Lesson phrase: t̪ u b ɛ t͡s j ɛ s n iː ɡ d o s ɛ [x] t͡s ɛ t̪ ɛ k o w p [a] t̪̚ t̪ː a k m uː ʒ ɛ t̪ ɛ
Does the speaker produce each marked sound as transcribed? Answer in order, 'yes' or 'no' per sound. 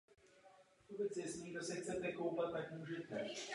yes, yes

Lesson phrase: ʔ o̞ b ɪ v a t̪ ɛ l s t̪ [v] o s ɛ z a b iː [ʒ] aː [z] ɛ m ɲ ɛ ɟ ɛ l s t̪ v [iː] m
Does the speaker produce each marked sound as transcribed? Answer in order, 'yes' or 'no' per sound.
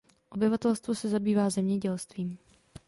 yes, no, yes, yes

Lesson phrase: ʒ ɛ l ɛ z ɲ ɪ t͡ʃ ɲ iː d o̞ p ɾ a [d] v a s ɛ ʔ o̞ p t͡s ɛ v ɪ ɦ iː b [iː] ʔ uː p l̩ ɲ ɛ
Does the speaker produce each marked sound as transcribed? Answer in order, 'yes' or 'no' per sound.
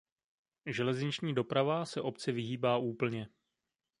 no, no

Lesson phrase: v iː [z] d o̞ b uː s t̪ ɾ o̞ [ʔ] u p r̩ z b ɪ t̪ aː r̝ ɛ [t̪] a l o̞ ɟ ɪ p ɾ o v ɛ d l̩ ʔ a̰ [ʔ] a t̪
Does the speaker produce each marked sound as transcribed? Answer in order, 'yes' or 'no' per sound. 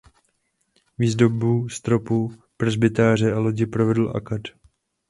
yes, no, no, no

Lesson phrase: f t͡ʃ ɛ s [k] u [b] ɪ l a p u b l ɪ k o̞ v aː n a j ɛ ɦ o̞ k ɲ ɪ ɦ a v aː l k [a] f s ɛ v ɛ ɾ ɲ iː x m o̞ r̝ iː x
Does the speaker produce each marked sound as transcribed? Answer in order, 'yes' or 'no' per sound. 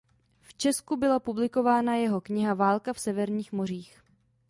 yes, yes, yes

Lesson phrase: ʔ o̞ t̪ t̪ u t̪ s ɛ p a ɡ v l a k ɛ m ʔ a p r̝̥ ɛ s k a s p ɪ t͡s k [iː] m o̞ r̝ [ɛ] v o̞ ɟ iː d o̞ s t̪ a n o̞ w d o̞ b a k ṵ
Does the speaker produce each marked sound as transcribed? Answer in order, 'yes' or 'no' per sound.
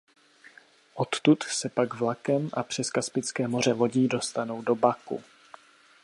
no, yes

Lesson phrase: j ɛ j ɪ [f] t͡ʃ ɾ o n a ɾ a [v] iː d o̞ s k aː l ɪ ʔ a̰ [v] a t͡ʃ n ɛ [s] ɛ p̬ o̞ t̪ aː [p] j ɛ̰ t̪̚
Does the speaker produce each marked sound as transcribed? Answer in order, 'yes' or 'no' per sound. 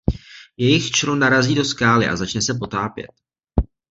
no, no, no, yes, yes

